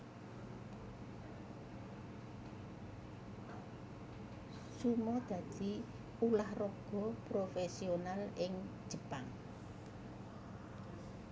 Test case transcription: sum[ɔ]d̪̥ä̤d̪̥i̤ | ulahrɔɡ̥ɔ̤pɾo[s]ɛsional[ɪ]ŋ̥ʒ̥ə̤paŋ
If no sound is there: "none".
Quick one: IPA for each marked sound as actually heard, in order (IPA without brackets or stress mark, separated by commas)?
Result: ɔ, f, ɪ